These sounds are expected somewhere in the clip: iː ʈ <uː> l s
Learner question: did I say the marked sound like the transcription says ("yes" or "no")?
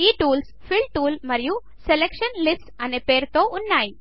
yes